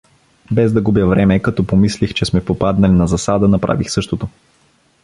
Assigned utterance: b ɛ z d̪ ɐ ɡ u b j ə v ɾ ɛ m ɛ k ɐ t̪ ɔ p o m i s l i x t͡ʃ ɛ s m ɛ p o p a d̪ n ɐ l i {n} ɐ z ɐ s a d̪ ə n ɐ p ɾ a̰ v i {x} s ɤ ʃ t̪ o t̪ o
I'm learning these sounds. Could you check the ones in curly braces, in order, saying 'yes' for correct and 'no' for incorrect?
yes, yes

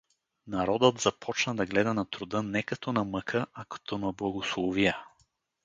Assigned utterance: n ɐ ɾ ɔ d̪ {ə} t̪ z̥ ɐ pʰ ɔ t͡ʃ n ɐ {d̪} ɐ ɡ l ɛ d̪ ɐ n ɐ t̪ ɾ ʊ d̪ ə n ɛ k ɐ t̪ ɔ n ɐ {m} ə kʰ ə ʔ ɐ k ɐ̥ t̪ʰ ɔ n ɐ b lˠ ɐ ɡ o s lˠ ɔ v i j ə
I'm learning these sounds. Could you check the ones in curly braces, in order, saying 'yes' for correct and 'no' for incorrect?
yes, yes, yes

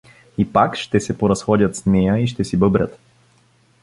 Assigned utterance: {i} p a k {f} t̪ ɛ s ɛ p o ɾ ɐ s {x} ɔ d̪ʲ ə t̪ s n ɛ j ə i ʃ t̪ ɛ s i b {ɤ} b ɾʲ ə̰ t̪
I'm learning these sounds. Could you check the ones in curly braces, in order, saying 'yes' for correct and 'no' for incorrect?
yes, no, yes, yes

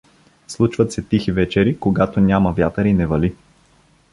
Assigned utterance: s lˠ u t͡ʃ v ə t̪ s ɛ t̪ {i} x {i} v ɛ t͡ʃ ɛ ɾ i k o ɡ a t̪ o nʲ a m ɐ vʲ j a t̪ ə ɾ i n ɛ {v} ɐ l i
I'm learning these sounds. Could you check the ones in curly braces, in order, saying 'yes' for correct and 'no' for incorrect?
yes, yes, yes

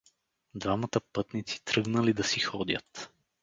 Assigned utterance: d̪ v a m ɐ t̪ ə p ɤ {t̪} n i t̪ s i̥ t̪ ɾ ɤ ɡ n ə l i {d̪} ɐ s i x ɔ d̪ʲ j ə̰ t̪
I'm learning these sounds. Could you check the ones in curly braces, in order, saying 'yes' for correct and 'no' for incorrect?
yes, yes

